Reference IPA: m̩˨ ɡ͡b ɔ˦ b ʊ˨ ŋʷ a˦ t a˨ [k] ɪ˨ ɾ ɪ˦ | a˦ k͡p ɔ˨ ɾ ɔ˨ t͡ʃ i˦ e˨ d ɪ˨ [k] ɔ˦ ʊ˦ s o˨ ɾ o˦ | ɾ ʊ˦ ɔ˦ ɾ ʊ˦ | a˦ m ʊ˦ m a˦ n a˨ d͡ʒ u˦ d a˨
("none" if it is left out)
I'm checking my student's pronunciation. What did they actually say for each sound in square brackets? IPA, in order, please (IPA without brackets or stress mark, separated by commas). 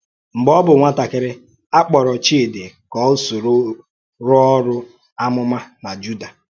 k, k